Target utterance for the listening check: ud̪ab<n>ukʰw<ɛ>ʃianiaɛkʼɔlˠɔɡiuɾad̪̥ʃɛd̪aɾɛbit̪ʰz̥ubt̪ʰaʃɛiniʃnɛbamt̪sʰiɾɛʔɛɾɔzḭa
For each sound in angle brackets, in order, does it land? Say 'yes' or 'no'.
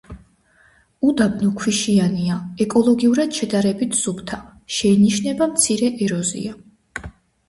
yes, no

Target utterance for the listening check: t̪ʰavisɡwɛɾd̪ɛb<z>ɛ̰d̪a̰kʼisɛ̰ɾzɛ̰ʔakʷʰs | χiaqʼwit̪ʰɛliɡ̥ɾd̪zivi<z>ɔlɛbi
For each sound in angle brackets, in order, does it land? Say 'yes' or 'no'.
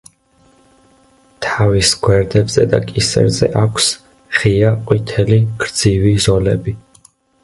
yes, yes

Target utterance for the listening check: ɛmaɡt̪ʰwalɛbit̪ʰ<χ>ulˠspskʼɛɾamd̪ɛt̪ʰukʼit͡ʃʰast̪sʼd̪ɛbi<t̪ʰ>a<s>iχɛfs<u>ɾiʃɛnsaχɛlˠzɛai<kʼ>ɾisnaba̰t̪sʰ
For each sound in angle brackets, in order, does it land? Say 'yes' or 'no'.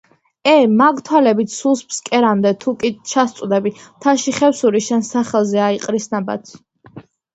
no, yes, no, yes, no

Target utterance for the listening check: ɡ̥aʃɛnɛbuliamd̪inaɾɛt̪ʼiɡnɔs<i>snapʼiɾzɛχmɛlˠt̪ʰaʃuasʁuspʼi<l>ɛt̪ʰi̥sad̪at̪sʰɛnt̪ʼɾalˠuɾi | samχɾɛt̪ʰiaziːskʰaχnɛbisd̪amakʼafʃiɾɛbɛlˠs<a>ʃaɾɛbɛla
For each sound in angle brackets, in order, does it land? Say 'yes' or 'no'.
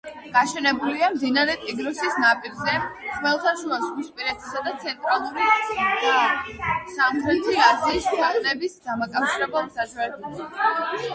yes, no, yes

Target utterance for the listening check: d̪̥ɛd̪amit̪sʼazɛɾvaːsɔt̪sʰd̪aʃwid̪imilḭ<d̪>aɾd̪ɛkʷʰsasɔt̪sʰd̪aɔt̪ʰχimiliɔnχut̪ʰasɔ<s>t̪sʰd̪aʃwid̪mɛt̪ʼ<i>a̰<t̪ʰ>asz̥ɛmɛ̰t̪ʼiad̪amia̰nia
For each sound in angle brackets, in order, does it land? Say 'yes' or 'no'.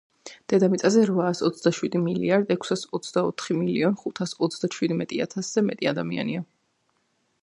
no, no, yes, yes

